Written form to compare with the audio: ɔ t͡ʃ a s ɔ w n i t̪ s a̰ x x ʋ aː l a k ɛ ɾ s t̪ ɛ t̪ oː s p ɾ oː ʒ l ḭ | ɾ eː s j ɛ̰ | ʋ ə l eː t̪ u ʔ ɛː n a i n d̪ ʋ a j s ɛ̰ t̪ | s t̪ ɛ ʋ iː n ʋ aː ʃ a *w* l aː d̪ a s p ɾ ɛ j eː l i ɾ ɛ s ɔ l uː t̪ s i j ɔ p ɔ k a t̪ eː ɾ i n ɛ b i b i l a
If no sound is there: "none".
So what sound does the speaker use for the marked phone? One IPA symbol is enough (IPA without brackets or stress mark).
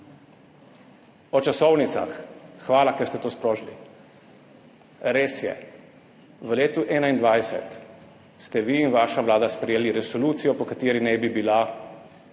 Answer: ʋ